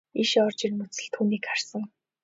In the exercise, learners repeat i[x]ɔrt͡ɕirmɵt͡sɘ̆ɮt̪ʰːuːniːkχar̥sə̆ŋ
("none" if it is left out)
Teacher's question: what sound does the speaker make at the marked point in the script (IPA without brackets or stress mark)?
ʃ